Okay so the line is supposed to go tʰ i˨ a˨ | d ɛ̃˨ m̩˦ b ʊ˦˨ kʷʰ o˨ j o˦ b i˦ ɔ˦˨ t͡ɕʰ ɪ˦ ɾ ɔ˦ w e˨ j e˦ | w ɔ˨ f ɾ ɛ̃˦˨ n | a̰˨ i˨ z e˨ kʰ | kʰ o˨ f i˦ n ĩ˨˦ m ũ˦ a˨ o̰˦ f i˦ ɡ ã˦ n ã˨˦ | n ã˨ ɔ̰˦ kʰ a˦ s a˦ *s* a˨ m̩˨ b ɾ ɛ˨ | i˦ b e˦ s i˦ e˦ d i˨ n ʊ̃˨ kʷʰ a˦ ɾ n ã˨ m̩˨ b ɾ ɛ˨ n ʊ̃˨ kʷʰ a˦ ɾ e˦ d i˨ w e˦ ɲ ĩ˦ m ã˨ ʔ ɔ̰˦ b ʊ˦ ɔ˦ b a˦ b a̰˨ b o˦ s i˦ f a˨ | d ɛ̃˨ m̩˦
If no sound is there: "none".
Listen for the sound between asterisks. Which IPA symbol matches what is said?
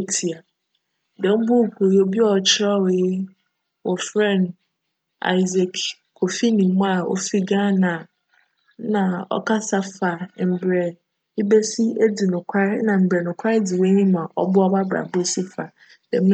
f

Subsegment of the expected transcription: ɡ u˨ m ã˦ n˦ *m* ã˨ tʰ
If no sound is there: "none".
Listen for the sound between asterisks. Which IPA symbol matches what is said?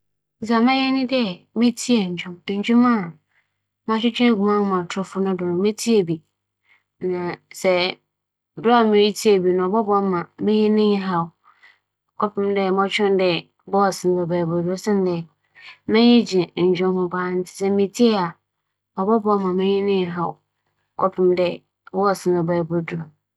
m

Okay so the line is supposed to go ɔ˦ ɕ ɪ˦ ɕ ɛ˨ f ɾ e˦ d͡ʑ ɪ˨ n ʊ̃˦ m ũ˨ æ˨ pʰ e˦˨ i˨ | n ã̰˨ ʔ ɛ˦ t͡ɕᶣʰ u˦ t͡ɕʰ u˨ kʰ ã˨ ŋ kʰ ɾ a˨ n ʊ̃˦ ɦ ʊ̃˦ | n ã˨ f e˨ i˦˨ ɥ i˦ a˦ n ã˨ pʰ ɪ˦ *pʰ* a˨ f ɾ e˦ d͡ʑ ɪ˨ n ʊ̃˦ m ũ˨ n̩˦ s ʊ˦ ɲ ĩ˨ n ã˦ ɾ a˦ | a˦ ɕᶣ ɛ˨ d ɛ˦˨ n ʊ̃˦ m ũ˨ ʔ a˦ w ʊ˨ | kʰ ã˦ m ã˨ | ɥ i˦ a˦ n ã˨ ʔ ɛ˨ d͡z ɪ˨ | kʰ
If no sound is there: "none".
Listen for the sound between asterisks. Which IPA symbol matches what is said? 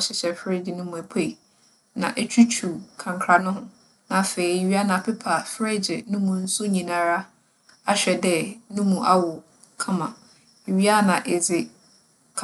pʰ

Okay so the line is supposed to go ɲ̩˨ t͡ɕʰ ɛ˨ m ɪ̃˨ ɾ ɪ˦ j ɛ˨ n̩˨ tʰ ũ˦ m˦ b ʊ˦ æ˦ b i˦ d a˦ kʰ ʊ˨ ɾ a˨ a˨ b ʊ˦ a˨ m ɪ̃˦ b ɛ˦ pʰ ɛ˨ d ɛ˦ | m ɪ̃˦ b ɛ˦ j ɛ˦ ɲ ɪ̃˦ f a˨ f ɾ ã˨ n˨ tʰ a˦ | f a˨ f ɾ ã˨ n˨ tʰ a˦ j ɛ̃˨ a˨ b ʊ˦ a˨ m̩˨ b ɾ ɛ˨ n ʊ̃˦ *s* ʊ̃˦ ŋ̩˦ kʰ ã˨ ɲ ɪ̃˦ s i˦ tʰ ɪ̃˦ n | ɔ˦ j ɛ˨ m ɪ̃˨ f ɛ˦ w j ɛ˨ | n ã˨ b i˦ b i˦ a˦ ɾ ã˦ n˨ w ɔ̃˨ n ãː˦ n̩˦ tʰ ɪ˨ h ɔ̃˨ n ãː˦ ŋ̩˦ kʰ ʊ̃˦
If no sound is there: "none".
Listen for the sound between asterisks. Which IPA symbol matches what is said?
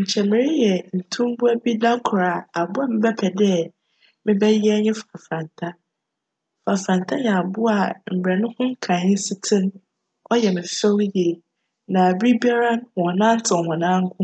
h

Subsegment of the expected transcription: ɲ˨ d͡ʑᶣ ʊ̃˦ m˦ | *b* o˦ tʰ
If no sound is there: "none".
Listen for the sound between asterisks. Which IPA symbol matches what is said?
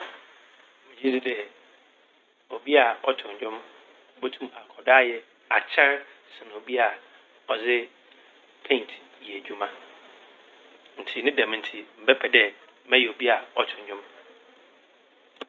b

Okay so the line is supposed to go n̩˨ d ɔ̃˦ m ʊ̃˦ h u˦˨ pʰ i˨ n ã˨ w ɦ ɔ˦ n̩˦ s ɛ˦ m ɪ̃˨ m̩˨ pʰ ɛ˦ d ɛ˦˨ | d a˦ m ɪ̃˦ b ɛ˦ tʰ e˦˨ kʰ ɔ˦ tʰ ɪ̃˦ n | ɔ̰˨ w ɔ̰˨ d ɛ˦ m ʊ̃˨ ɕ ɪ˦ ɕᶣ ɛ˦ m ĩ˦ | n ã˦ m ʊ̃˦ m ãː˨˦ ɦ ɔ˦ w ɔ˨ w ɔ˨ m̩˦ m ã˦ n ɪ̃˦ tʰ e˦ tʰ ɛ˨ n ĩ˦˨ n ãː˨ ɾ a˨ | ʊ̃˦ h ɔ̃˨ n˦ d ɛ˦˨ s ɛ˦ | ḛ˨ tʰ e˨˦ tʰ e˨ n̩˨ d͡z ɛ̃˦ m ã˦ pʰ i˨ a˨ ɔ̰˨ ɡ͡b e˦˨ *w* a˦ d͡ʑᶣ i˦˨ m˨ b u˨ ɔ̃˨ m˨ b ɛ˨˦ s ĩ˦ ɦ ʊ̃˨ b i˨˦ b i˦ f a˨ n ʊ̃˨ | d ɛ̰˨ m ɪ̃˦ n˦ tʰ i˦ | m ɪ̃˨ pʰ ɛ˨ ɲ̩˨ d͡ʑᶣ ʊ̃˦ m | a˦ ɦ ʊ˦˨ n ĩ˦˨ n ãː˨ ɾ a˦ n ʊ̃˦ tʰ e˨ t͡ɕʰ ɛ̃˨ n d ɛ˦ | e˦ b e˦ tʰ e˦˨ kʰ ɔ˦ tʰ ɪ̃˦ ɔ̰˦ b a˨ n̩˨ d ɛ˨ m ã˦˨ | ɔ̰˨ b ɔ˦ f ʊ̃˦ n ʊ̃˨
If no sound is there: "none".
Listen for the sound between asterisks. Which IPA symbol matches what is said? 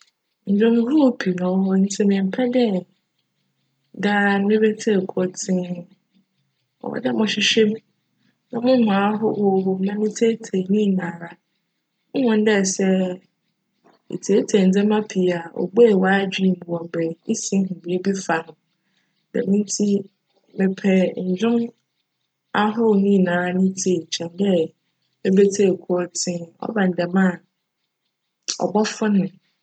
w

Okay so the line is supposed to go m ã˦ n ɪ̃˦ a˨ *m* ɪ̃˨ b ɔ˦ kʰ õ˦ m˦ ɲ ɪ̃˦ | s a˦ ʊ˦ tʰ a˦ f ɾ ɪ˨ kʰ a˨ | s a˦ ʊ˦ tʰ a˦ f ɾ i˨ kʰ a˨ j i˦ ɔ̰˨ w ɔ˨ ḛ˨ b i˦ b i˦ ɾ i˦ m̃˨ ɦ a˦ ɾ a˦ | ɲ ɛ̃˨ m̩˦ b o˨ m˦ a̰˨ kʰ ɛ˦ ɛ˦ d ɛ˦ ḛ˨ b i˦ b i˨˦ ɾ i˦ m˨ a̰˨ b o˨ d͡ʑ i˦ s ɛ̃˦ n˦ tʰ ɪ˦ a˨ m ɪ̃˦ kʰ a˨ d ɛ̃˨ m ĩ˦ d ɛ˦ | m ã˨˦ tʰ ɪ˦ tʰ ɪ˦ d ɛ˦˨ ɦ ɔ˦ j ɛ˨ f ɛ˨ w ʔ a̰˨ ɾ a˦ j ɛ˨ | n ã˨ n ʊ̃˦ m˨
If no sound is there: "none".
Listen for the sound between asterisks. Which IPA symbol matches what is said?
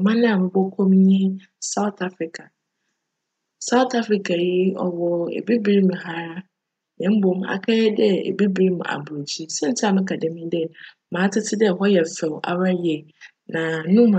m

